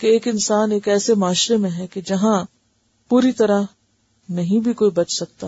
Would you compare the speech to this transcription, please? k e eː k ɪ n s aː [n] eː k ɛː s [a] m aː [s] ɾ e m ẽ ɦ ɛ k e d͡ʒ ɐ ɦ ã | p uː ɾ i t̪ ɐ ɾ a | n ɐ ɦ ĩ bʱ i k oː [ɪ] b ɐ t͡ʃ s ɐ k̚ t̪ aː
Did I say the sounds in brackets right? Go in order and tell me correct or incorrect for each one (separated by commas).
correct, incorrect, incorrect, incorrect